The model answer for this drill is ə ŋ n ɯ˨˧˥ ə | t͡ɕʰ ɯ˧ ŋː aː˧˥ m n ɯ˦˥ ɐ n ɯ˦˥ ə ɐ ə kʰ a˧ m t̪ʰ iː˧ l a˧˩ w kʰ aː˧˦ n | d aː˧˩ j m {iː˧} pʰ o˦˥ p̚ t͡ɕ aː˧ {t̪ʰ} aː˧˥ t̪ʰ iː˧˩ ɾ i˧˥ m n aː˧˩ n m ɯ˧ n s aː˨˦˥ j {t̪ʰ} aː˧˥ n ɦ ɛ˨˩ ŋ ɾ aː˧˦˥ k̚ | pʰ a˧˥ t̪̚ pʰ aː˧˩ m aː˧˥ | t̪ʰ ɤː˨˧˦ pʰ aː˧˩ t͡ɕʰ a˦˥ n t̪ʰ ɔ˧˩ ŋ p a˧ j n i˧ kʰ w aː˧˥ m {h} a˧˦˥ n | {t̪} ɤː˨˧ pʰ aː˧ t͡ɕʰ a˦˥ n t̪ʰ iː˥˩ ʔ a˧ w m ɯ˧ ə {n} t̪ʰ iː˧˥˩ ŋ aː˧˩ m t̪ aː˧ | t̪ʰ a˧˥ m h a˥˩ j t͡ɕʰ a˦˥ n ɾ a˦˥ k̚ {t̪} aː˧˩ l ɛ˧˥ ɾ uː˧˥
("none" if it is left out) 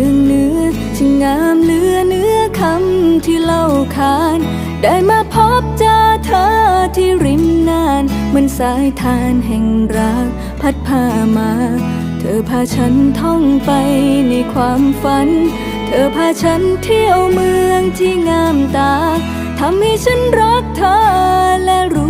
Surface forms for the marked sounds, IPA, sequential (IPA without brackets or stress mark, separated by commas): aː˧, t̪ʰ, t̪ʰ, f, t̪ʰ, ŋ, t̪ʰ